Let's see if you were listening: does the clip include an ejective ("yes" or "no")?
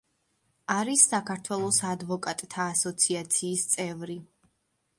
yes